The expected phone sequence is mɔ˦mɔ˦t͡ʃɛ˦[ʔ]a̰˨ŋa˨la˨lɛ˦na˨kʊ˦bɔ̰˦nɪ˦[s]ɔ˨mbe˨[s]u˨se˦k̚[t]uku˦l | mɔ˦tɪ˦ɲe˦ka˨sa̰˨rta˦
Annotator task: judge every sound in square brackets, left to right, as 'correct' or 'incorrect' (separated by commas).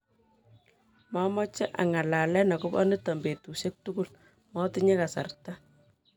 correct, incorrect, incorrect, correct